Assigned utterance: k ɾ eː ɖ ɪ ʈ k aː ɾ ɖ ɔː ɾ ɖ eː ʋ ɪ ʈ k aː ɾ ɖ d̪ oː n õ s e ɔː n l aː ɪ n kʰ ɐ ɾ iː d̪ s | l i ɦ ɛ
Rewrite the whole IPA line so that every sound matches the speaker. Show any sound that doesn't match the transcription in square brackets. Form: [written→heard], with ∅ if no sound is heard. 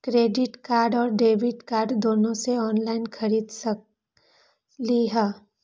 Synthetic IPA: k ɾ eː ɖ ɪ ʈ k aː ɾ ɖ ɔː ɾ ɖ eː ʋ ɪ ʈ k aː ɾ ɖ d̪ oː n õ s e ɔː n l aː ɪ n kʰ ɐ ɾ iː d̪ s | l i ɦ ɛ